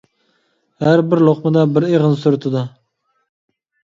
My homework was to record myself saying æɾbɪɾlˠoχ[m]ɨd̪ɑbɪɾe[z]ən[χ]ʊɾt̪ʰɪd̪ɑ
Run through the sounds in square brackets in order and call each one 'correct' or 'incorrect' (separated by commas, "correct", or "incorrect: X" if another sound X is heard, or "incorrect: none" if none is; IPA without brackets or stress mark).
correct, incorrect: ʁ, incorrect: s